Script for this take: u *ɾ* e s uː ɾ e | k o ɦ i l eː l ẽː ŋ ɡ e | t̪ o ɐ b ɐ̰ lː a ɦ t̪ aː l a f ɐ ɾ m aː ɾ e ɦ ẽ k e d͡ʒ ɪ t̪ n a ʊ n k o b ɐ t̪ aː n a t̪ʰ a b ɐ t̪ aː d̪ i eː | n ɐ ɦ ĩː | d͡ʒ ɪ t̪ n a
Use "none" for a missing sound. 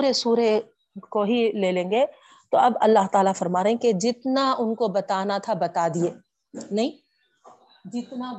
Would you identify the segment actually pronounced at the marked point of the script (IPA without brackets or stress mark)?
ɾ